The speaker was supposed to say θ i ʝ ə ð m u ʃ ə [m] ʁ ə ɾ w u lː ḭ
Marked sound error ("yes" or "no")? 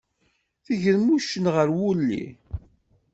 yes